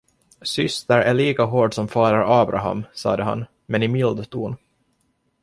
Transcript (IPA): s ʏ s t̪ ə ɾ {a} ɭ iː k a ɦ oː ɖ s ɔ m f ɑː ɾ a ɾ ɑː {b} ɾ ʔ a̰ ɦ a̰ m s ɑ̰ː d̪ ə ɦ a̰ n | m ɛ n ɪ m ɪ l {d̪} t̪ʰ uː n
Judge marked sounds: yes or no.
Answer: no, yes, yes

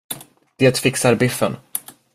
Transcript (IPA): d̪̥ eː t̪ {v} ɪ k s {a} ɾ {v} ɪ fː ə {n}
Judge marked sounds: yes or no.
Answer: no, yes, no, yes

